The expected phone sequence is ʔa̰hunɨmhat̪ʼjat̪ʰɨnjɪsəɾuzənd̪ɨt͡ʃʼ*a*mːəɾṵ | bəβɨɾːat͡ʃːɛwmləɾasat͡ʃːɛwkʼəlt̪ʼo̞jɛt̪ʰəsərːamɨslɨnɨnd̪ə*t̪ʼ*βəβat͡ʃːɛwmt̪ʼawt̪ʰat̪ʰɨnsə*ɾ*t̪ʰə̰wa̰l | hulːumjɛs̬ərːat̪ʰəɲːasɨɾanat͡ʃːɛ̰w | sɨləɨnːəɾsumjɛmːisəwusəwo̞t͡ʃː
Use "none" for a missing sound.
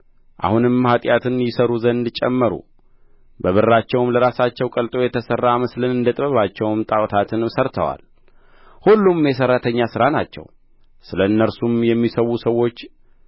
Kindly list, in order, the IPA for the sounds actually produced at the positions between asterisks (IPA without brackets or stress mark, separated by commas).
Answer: ɛ, t̪ʼ, ɾ